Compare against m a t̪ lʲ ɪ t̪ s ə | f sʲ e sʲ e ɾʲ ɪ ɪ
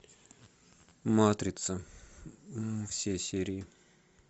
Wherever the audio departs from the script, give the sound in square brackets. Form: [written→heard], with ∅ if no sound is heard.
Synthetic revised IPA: m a t̪ [lʲ→ɾʲ] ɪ t̪ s ə | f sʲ e sʲ e ɾʲ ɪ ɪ

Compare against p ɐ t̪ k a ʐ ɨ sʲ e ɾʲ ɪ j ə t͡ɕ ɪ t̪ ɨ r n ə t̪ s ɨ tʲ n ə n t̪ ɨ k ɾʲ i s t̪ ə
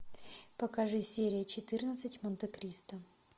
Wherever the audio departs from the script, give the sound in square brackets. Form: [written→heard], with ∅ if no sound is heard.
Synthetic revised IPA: p ɐ [t̪→∅] k a ʐ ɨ sʲ e ɾʲ ɪ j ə t͡ɕ ɪ t̪ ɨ r n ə t̪ s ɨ tʲ [n→m] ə n t̪ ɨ k ɾʲ i s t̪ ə

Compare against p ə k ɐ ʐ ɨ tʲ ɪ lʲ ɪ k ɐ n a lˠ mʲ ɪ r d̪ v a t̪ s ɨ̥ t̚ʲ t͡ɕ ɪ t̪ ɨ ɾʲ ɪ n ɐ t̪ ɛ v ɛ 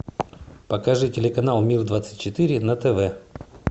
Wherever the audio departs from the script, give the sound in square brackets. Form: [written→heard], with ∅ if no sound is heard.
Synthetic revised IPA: p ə k ɐ ʐ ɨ tʲ ɪ lʲ ɪ k ɐ n a lˠ mʲ [ɪ→i] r d̪ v a t̪ s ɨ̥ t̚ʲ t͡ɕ ɪ t̪ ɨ ɾʲ ɪ n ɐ t̪ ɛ v ɛ

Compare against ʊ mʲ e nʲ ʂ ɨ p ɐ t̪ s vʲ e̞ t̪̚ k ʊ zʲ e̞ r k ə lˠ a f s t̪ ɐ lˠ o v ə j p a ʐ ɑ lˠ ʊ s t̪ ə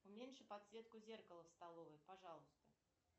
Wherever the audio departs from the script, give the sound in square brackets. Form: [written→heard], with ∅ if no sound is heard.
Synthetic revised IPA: ʊ mʲ e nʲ ʂ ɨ p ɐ t̪ s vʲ e̞ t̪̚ k ʊ zʲ e̞ r k ə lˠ [a→ə] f s t̪ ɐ lˠ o v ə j p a ʐ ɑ lˠ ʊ s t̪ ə

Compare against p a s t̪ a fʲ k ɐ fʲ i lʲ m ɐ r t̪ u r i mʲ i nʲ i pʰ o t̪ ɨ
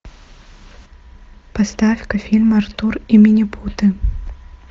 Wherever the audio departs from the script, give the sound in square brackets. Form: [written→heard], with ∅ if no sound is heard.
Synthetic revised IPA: p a s t̪ a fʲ k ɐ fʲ i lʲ m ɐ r t̪ u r i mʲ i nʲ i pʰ [o→u] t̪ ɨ

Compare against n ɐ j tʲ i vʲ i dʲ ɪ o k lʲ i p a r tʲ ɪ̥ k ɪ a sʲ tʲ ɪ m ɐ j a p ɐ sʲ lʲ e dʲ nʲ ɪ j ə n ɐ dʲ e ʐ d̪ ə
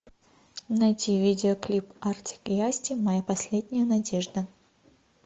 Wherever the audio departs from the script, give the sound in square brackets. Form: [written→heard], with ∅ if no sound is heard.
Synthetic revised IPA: n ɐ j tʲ i vʲ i dʲ ɪ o k lʲ i p a r tʲ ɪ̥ k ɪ a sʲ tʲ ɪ m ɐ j a p ɐ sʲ lʲ e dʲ nʲ ɪ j ə n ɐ dʲ e ʐ d̪ ə

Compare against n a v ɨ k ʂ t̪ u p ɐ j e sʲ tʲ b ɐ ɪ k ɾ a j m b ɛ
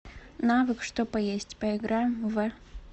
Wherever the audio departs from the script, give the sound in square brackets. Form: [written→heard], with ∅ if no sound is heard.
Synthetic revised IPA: n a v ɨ k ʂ t̪ [u→o] p ɐ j e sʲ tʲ [b→p] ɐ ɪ [k→ɡ] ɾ a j m [b→v] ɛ

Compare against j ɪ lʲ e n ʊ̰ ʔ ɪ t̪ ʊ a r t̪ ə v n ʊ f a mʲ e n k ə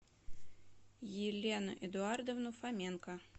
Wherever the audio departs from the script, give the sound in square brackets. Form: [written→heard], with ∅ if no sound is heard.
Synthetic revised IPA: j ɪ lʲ e n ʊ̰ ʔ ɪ [t̪→d̪] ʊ a r [t̪→d̪] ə v n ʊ f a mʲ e n k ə

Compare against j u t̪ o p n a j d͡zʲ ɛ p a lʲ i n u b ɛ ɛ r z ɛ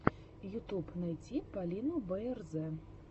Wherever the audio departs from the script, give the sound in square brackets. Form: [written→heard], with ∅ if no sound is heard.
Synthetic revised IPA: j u t̪ [o→u] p n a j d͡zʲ [ɛ→i] p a lʲ i n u b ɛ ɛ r z ɛ

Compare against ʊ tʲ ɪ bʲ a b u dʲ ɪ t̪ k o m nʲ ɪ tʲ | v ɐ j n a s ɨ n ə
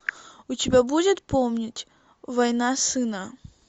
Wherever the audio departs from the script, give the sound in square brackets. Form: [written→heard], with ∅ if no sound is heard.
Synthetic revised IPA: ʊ tʲ ɪ bʲ a b u dʲ ɪ t̪ [k→p] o m nʲ ɪ tʲ | v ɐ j n a s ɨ n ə

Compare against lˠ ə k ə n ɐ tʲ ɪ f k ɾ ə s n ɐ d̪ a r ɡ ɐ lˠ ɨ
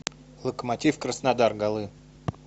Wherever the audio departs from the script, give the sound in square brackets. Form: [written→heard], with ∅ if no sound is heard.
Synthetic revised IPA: lˠ ə k ə [n→m] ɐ tʲ [ɪ→i] f k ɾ ə s n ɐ d̪ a r ɡ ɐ lˠ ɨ

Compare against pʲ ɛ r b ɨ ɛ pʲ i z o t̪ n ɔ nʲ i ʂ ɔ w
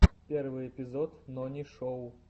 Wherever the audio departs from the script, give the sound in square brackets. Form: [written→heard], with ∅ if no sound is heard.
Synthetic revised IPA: pʲ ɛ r [b→v] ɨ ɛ pʲ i z [o→ɔ] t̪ n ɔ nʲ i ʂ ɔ w

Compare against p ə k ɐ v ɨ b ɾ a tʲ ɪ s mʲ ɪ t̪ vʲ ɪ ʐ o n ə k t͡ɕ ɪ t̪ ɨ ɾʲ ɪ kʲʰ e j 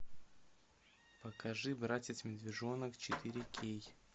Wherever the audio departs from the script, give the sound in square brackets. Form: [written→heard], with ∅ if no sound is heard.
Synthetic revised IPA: p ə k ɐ [v→ʐ] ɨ b ɾ a tʲ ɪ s mʲ ɪ [t̪→d̪] vʲ ɪ ʐ o n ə k t͡ɕ ɪ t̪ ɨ ɾʲ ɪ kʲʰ e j

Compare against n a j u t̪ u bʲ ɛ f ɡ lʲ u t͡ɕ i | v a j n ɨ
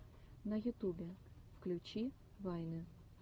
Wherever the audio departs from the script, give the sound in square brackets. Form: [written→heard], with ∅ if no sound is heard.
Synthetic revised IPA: n [a→ɐ] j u t̪ u bʲ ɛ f [ɡ→k] lʲ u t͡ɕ i | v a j n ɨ

